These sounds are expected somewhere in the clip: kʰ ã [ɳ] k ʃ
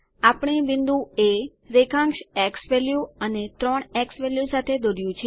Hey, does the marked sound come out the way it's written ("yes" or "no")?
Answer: no